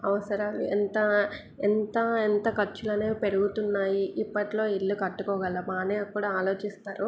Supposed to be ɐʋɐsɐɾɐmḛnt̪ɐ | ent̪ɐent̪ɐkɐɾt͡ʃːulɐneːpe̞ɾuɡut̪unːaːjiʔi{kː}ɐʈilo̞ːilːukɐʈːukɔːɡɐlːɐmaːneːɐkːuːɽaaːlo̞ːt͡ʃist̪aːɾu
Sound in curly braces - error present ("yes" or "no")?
yes